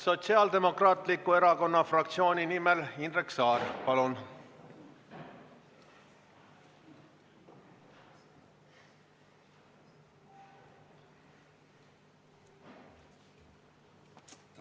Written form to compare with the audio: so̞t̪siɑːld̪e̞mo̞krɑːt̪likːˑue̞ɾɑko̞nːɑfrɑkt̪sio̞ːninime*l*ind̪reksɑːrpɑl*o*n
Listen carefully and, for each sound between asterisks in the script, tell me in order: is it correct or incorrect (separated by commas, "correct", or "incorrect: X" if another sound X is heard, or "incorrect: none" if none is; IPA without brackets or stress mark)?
correct, incorrect: u